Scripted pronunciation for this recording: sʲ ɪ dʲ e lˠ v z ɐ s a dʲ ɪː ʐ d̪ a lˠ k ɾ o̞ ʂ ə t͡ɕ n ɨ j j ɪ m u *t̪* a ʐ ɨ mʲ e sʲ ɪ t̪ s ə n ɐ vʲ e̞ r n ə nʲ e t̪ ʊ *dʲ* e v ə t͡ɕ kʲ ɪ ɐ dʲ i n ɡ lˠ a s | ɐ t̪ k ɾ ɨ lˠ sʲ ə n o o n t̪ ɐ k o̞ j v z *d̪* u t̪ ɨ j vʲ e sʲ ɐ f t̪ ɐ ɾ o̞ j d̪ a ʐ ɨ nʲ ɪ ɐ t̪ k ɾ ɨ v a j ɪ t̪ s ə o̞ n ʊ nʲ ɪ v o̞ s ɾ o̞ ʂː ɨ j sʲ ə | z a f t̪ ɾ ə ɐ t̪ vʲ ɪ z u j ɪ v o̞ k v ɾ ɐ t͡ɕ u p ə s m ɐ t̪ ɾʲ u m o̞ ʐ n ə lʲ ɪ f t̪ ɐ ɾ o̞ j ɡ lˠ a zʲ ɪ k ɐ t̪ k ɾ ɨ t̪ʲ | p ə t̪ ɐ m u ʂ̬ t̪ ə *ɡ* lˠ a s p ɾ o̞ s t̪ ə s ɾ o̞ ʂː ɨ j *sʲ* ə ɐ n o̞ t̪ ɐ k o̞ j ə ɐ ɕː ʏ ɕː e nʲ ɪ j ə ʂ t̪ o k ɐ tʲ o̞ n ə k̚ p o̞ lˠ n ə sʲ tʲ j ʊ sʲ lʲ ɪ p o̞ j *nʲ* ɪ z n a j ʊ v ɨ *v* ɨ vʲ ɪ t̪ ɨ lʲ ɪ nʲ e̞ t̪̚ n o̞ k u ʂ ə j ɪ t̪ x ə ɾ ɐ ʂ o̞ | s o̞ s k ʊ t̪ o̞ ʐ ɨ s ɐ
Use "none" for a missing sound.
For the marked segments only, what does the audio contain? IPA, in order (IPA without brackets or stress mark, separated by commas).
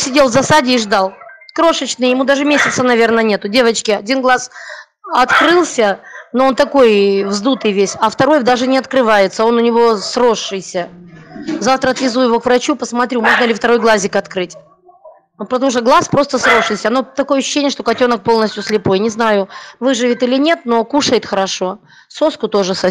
d̪, dʲ, d̪, ɡ, sʲ, nʲ, ʐ